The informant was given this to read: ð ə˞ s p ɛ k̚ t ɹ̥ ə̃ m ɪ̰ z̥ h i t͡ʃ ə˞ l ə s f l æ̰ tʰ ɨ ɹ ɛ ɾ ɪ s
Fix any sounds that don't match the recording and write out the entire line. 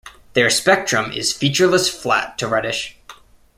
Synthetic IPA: ð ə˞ s p ɛ k̚ t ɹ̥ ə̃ m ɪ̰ z̥ f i t͡ʃ ə˞ l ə s f l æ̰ tʰ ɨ ɹ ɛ ɾ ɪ ʃ